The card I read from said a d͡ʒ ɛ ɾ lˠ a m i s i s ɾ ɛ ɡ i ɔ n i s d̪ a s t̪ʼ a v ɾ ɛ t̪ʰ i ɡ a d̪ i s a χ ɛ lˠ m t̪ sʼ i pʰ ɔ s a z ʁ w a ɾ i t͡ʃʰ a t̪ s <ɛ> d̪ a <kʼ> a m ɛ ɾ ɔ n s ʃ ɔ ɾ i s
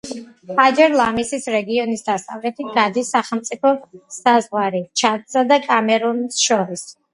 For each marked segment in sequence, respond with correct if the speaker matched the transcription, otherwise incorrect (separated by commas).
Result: incorrect, correct